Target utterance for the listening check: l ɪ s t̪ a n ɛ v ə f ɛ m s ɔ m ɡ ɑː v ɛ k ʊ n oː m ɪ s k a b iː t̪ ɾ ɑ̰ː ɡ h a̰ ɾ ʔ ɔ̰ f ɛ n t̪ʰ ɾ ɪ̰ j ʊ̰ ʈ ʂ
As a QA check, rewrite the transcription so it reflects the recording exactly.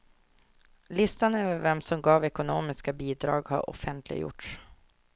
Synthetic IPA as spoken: l ɪ s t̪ a n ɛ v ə v ɛ m s ɔ m ɡ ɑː v ɛ k ʊ n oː m ɪ s k a b iː d̪ ɾ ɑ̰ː ɡ h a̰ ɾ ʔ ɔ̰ f ɛ n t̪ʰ l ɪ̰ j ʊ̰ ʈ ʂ

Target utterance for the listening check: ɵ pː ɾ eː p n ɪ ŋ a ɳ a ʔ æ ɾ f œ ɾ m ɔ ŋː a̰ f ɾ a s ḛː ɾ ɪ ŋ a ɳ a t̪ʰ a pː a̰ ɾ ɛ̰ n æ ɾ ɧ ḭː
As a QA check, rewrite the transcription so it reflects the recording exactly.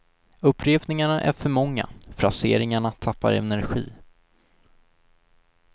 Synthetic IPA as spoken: ɵ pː ɾ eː p n ɪ ŋ a ɳ a ʔ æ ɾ f œ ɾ m ɔ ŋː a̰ f ɾ a s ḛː ɾ ɪ ŋ a ɳ a t̪ʰ a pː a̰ ɾ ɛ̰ n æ ɾ ɧ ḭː

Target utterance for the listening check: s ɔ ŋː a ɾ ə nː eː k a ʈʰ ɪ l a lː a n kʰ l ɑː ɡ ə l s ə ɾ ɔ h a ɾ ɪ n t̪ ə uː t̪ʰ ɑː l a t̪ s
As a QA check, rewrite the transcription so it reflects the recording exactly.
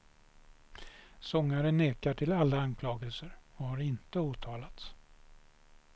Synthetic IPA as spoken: s ɔ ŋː a ɾ ə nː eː k a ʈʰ ɪ l a lː a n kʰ l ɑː ɡ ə l s ə ɾ ɔ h a ɾ ɪ n t̪ ə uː t̪ʰ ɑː l a t̪ s

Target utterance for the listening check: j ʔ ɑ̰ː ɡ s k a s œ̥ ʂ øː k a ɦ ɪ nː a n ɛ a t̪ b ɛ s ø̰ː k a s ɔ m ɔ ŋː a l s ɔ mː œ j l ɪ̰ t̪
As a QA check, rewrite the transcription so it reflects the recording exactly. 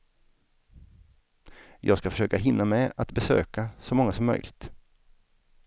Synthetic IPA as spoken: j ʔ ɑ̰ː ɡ s k a f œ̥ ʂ øː k a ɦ ɪ nː a m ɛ a t̪ b ɛ s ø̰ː k a s ɔ m ɔ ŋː a s ɔ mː œ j l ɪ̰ t̪

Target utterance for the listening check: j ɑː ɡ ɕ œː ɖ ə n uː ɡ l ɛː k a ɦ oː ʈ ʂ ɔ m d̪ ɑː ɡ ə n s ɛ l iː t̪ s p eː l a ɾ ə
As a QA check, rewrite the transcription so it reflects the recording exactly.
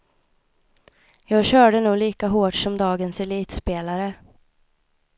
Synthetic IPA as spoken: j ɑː ɡ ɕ œː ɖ ə n uː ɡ l iː k a ɦ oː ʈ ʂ ɔ m d̪ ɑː ɡ ə n s ɛ l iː t̪ s p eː l a ɾ ə

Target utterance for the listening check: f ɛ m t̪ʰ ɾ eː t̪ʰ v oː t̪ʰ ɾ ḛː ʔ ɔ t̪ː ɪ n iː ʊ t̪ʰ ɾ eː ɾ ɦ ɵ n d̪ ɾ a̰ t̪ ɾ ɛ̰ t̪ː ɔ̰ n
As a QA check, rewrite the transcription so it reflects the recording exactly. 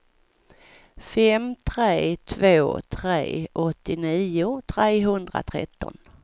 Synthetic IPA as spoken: f ɛ m t̪ʰ ɾ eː t̪ʰ v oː t̪ʰ ɾ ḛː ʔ ɔ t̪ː ɪ n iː ʊ t̪ʰ ɾ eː ɦ ɵ n d̪ ɾ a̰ t̪ʰ ɾ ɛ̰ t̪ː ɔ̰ n

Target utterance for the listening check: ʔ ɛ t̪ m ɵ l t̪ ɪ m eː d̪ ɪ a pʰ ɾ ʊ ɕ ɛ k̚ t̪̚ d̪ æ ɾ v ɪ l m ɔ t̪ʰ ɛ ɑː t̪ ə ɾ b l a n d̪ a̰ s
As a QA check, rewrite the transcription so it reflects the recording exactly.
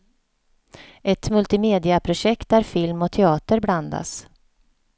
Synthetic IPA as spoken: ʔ ɛ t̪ m ɵ l t̪ ɪ m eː d̪ ɪ a pʰ ɾ ʊ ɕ ɛ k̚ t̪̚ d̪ æ ɾ f ɪ l m ɔ t̪ʰ ɛ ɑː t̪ ə ɾ b l a n d̪ a̰ s

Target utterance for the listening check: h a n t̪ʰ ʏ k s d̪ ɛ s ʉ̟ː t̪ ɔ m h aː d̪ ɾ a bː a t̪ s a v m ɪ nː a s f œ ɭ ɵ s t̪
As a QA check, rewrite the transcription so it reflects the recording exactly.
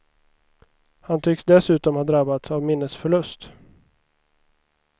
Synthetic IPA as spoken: h a n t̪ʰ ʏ k s d̪ ɛ s ʉ̟ː t̪ ɔ m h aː d̪ ɾ a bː a t̪ s a v m ɪ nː ə s f œ ɭ ɵ s t̪

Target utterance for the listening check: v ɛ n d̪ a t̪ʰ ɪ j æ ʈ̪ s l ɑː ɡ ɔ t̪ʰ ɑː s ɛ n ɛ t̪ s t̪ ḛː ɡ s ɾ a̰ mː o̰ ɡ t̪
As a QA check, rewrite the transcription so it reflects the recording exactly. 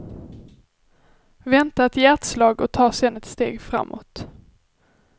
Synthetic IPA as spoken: v ɛ n t̪ a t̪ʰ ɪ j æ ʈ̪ s l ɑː ɡ ɔ t̪ʰ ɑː s ɛ n ɛ t̪ s t̪ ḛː ɡ f ɾ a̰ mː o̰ t̪

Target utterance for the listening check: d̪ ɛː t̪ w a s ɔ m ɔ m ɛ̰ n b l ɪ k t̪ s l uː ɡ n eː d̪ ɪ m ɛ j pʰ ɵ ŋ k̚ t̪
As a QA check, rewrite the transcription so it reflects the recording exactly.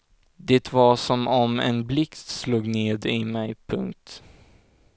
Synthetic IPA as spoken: d̪ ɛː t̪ v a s ɔ m ɔ m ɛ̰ n b l ɪ k t̪ s l uː ɡ n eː d̪ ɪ m ɛ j pʰ ɵ ŋ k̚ t̪

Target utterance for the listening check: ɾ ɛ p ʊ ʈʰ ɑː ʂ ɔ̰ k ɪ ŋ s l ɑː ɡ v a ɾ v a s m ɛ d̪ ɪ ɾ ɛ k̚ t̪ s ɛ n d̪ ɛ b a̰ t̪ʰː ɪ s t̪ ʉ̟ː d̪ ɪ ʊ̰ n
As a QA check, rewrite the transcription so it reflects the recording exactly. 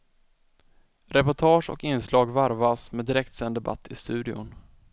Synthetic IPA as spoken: ɾ ɛ p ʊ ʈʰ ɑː ʂ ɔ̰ k ɪ n s l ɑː ɡ v a ɾ v a s m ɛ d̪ ɪ ɾ ɛ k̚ t̪ s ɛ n d̪ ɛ b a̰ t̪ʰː ɪ s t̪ ʉ̟ː d̪ ɪ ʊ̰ n

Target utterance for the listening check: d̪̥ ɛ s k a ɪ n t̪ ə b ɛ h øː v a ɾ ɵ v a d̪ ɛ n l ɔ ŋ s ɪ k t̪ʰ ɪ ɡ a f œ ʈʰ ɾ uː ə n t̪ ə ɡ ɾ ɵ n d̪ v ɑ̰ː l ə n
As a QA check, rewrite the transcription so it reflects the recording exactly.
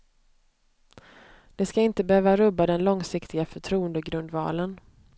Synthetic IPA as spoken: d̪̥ ɛ s k a ɪ n t̪ ə b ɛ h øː v a ɾ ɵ b a d̪ ɛ n l ɔ ŋ s ɪ k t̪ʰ ɪ ɡ a f œ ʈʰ ɾ uː ə n d̪ ə ɡ ɾ ɵ n d̪ v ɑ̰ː l ə n

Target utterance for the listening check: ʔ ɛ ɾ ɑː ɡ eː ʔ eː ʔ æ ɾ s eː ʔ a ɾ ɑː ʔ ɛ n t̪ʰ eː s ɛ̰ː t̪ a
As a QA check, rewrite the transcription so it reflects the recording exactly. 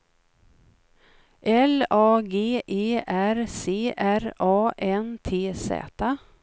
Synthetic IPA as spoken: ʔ ɛ l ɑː ɡ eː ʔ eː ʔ æ ɾ s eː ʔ æ ɾ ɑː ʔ ɛ n t̪ʰ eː s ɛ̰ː t̪ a

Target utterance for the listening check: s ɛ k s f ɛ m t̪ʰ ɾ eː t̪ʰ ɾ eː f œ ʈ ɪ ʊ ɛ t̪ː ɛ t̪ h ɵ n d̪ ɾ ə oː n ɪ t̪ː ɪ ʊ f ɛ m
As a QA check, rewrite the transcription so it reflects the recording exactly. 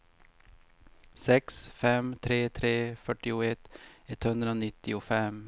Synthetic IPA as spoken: s ɛ k s f ɛ m t̪ʰ ɾ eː t̪ʰ ɾ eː f œ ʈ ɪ ʊ ɛ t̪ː ɛ t̪ h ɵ n d̪ ɾ ə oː n ɪ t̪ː ɪ ʊ f ɛ m

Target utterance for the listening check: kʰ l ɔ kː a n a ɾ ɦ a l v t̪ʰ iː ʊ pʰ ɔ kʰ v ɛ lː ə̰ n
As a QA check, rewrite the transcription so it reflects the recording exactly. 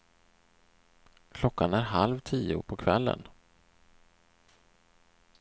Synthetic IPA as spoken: kʰ l ɔ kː a n æ ɾ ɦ a l v t̪ʰ iː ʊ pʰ ɔ kʰ v ɛ lː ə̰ n

